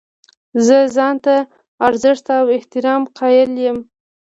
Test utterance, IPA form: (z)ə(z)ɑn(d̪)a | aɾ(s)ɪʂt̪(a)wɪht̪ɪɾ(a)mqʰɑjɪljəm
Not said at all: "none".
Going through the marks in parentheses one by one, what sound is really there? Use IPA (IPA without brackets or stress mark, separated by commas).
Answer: z, z, t̪, z, a, ɑ